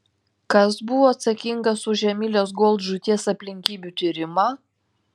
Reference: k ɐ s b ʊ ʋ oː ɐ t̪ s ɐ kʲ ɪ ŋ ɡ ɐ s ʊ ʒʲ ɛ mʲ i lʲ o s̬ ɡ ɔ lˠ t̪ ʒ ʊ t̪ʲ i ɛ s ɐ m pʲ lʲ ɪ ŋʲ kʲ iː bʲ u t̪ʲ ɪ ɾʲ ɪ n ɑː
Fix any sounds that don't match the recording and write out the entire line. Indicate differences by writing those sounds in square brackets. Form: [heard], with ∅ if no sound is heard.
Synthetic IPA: k ɐ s b ʊ ʋ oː ɐ t̪ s ɐ kʲ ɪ ŋ ɡ ɐ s ʊ ʒʲ ɛ mʲ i lʲ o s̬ ɡ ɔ lˠ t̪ ʒ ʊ t̪ʲ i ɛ s ɐ [∅] pʲ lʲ ɪ ŋʲ kʲ iː bʲ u t̪ʲ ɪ ɾʲ ɪ [m] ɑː